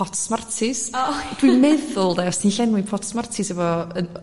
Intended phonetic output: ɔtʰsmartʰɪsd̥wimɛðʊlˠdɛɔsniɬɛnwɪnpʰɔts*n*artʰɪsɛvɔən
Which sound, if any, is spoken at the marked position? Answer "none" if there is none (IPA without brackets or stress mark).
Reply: m